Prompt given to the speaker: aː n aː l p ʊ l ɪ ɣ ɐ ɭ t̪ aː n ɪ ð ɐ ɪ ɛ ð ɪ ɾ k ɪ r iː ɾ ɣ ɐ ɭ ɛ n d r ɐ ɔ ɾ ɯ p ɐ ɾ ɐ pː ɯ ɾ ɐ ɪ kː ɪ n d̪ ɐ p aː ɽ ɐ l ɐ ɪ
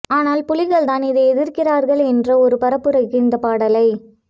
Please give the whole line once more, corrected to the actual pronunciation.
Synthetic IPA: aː n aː l p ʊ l ɪ ɣ ɐ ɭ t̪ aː n ɪ ð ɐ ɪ ɛ ð ɪ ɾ k ɪ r aː ɾ ɣ ɐ ɭ ɛ n d r ɐ ɔ ɾ ɯ p ɐ ɾ ɐ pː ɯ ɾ ɐ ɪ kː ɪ n d̪ ɐ p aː ɽ ɐ l ɐ ɪ